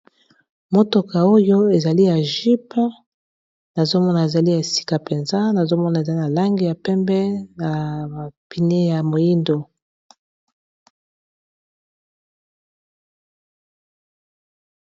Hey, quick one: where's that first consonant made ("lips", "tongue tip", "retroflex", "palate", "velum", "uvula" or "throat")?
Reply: lips